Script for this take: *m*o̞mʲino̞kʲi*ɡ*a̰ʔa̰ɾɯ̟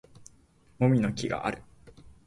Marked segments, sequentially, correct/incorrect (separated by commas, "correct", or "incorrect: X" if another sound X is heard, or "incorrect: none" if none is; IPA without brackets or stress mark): correct, correct